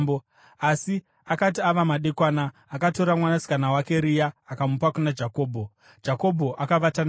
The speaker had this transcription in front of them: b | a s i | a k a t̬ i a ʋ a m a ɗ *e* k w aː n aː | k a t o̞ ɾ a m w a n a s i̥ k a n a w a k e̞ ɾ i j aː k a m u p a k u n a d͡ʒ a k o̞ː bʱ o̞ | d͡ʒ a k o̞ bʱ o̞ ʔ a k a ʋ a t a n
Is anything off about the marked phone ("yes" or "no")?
no